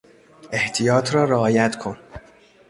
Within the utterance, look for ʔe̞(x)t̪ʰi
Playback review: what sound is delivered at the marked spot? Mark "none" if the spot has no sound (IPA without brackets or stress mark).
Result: h